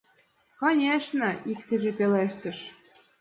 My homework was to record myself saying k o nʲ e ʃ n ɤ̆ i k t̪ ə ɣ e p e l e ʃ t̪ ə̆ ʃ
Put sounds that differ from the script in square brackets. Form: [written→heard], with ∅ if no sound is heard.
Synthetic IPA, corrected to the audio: k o nʲ e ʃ n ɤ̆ i k t̪ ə [ɣ→ʒ] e p e l e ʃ t̪ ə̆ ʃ